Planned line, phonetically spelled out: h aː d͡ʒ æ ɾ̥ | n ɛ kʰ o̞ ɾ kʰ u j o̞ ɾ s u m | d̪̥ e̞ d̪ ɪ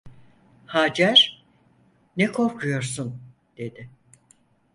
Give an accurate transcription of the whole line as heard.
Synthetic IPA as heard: h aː d͡ʒ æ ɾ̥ | n ɛ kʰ o̞ ɾ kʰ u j o̞ ɾ s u n | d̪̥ e̞ d̪ ɪ